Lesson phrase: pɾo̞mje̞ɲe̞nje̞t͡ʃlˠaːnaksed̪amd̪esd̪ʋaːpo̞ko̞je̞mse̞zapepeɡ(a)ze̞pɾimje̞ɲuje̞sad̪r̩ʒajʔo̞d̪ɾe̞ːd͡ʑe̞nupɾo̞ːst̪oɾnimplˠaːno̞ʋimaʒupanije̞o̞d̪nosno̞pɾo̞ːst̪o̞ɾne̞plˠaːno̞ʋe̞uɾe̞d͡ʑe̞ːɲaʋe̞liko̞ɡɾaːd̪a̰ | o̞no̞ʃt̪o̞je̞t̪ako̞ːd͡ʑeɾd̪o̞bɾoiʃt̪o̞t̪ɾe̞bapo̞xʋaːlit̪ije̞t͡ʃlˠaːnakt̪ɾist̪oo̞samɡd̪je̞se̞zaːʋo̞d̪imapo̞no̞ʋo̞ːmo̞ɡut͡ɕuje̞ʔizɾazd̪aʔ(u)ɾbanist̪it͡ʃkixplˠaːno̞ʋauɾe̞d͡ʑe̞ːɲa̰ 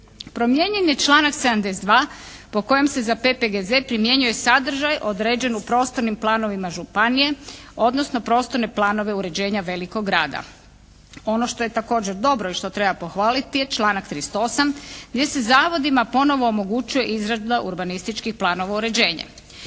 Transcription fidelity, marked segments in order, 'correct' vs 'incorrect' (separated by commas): incorrect, correct